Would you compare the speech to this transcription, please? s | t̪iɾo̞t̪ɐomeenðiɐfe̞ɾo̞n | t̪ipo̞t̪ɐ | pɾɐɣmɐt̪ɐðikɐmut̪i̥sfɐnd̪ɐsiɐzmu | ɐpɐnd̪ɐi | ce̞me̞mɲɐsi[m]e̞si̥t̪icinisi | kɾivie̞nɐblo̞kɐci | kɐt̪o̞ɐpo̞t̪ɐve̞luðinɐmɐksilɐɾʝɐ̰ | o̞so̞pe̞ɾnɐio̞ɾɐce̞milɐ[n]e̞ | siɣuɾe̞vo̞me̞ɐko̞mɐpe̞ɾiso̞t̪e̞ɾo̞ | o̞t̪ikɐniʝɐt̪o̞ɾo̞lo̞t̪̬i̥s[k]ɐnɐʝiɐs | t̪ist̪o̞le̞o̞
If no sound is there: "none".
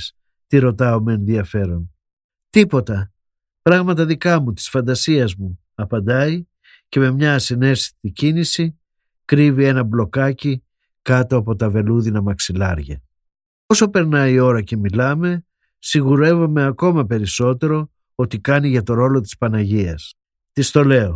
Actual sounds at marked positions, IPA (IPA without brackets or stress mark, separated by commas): n, m, p